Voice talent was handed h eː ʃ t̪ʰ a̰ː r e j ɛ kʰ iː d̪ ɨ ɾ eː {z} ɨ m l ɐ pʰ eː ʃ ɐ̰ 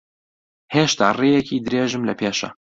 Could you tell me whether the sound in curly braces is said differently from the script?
yes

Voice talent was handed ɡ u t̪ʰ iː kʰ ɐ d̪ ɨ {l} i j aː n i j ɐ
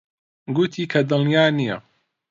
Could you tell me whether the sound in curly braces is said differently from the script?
no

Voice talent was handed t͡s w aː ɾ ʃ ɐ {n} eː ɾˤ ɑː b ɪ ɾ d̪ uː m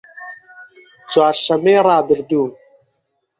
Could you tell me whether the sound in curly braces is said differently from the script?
yes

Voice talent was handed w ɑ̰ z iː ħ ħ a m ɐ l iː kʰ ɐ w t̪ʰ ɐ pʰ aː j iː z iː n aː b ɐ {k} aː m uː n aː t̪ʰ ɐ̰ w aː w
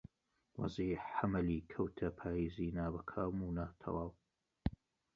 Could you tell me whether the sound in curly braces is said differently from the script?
yes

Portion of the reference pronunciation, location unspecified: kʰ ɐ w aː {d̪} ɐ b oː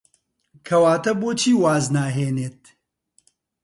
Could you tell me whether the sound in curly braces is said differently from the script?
yes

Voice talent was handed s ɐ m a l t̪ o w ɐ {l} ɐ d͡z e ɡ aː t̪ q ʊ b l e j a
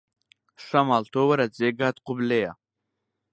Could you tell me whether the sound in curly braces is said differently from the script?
yes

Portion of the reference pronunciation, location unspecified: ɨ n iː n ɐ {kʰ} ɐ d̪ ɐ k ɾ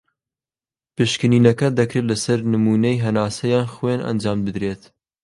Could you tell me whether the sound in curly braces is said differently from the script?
yes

